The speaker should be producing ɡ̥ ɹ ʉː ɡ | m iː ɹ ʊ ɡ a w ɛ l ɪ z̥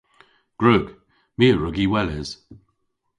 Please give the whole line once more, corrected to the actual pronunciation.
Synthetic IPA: ɡ̥ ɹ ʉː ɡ | m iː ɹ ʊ ɡ i w ɛ l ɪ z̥

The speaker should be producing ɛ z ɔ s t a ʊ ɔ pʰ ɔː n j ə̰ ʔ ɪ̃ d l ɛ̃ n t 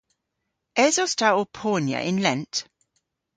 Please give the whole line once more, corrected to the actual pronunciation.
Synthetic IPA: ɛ z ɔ s t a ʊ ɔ pʰ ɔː n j ə̰ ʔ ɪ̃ n l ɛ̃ n t

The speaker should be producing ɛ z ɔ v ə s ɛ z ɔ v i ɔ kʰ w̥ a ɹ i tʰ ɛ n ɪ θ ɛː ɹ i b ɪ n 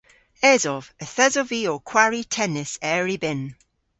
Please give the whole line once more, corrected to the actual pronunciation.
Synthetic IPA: ɛ z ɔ v ə θ ɛ z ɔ v i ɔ kʰ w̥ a ɹ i tʰ ɛ n ɪ s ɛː ɹ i b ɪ n

